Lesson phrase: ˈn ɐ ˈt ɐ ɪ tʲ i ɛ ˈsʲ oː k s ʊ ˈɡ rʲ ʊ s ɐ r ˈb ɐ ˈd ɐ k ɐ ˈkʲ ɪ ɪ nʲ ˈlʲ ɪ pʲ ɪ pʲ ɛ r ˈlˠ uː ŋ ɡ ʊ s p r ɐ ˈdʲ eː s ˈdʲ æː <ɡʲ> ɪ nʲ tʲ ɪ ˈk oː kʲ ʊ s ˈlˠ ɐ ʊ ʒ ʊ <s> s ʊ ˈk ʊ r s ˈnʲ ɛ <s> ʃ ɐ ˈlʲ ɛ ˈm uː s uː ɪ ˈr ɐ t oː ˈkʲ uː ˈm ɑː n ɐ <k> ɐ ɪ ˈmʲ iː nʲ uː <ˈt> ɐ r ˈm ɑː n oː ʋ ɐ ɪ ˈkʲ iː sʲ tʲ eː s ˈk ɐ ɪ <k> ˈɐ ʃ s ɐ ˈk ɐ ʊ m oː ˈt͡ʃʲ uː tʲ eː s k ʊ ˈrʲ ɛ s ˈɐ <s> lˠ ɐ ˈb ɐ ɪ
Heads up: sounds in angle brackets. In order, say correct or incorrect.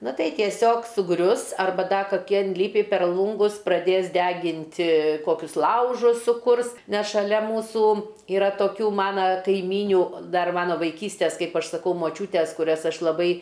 correct, correct, correct, correct, incorrect, incorrect, incorrect

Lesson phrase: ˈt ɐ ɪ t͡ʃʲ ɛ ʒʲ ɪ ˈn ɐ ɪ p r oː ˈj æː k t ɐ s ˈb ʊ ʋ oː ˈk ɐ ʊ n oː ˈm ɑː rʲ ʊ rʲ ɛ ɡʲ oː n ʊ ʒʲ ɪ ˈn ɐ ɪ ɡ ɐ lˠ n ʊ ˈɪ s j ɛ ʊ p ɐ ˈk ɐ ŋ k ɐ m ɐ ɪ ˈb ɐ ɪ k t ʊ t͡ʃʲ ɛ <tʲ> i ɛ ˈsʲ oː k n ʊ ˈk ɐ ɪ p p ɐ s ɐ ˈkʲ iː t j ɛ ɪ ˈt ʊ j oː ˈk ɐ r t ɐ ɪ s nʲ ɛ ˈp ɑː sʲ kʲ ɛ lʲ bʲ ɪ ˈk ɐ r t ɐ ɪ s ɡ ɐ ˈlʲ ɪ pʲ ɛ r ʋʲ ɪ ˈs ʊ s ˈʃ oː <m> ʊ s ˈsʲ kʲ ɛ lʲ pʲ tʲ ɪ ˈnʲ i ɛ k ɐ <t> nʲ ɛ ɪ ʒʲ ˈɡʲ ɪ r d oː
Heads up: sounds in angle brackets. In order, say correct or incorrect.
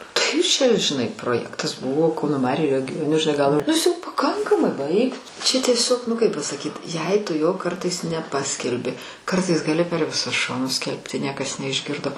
correct, incorrect, incorrect

